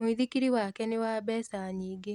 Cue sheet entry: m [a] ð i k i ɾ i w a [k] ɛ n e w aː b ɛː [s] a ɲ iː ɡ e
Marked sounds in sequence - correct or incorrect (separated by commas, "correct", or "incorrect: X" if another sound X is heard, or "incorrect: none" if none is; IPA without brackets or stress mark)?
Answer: incorrect: i, correct, correct